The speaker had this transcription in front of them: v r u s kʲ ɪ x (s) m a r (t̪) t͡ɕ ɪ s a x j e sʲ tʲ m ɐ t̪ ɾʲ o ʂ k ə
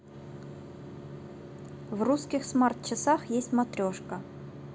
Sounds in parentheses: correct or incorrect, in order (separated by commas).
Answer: correct, correct